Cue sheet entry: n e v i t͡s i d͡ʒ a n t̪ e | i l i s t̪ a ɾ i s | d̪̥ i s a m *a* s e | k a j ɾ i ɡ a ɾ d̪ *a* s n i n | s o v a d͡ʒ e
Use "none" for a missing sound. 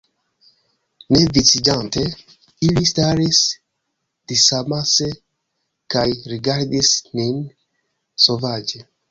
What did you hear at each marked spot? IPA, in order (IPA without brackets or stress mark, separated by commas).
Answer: a, i